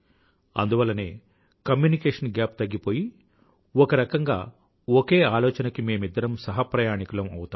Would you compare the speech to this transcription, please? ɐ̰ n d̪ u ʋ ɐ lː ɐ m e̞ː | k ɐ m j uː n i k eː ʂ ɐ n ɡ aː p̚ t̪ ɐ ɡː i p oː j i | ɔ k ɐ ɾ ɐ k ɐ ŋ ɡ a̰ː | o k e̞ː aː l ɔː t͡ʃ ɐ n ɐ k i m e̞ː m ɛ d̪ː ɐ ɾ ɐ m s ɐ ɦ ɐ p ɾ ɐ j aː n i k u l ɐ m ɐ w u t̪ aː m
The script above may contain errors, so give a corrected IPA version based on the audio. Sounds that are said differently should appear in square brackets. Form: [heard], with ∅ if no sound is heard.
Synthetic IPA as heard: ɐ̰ n d̪ u ʋ ɐ lː ɐ [n] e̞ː | k ɐ m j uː n i k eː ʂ ɐ n ɡ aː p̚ t̪ ɐ ɡː i p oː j i | ɔ k ɐ ɾ ɐ k ɐ ŋ ɡ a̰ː | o k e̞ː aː l ɔː t͡ʃ ɐ n ɐ k i m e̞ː m [i] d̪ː ɐ ɾ ɐ m s ɐ ɦ ɐ p ɾ ɐ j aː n i k u l ɐ m ɐ w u t̪ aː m